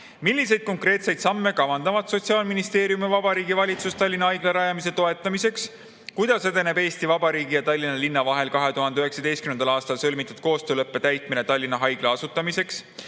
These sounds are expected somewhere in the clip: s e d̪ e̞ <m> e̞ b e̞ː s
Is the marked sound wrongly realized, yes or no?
yes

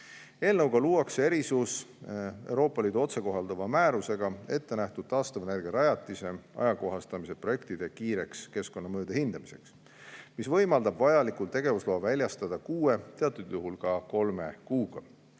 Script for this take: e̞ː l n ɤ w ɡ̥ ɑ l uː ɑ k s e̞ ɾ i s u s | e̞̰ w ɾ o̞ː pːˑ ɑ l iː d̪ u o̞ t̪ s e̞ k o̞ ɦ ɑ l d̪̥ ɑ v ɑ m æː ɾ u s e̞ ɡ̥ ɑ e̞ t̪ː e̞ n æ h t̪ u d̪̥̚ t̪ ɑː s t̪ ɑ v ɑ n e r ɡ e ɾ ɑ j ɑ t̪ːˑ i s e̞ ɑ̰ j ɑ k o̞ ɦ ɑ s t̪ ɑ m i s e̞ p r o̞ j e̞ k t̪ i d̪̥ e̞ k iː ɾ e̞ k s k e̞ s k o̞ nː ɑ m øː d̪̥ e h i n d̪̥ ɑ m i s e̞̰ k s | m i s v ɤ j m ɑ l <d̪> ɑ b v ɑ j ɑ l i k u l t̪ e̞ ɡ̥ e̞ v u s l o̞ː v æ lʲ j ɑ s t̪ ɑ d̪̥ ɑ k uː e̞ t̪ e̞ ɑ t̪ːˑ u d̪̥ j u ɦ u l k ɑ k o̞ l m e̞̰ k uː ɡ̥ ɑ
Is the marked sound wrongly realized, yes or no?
no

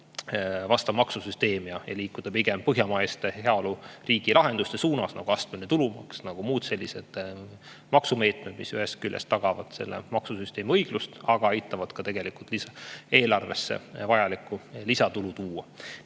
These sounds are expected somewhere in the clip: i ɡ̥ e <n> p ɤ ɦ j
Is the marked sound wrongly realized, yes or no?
yes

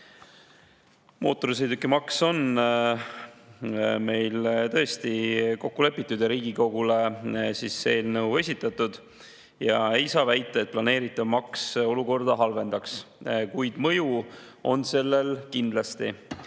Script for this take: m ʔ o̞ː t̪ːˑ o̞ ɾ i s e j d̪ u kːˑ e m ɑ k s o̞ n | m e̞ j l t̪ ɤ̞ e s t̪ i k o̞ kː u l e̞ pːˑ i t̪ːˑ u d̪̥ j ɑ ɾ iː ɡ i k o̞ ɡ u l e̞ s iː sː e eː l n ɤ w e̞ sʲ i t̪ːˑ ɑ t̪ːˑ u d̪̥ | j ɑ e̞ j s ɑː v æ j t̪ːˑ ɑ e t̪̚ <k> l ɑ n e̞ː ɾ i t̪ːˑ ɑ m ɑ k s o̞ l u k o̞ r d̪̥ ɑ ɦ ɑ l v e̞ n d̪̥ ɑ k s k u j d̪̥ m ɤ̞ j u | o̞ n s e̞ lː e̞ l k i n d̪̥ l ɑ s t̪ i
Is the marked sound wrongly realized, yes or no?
yes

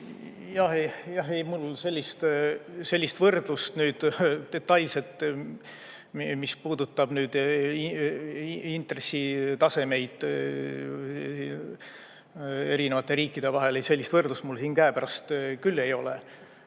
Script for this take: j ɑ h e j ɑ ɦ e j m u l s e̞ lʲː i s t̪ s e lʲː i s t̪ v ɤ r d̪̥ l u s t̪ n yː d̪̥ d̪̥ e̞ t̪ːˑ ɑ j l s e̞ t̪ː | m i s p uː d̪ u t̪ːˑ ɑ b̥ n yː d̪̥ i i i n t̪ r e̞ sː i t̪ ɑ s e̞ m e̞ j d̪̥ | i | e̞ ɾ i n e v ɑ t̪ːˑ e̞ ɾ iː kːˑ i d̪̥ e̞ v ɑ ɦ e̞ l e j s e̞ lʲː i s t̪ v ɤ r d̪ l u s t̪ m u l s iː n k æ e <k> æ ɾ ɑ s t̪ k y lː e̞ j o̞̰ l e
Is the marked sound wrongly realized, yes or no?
yes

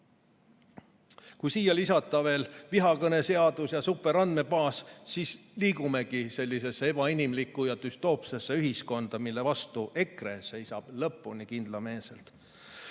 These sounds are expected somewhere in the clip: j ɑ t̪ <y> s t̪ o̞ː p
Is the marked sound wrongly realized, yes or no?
no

